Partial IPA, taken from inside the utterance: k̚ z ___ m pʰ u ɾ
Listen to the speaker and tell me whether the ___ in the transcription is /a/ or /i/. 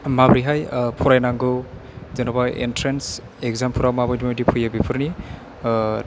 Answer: a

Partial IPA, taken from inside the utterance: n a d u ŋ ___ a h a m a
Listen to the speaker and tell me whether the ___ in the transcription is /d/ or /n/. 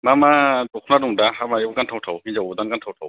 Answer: d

